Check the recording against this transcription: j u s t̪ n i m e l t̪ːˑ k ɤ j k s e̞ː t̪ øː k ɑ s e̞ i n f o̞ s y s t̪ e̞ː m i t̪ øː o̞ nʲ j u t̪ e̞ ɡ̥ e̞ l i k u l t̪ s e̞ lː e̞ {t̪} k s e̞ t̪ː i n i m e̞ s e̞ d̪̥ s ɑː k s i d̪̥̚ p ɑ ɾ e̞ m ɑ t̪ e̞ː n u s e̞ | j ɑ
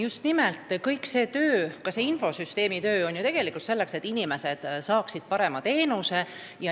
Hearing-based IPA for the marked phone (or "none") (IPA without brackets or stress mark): none